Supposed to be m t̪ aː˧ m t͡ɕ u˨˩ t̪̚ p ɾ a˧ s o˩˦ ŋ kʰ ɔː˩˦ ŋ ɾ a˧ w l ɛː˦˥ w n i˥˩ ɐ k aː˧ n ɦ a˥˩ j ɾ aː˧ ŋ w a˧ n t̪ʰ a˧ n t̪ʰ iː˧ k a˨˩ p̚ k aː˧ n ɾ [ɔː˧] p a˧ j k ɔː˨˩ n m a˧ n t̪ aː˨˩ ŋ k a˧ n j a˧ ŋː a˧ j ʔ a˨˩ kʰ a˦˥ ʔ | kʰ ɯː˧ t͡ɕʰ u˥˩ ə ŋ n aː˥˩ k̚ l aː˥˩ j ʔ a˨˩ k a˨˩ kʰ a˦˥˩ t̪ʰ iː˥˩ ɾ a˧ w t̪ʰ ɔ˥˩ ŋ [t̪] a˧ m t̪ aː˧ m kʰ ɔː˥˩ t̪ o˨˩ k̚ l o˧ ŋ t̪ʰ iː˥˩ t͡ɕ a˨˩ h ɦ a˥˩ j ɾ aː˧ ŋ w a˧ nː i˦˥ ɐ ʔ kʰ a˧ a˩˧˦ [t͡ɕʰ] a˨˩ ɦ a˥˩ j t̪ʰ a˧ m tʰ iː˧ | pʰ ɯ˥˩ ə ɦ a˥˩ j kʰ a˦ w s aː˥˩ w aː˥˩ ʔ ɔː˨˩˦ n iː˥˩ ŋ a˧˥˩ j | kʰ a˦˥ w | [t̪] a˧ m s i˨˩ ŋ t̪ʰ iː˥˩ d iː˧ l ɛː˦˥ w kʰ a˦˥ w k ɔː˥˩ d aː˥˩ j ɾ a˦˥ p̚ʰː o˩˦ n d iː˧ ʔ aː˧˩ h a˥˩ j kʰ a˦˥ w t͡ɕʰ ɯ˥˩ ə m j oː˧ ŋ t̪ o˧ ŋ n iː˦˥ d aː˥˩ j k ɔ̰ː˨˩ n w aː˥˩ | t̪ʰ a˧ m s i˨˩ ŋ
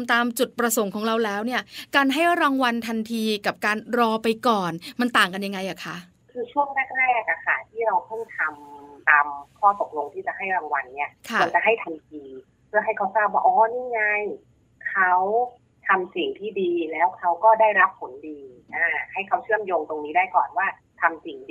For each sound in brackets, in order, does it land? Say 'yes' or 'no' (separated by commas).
yes, no, no, no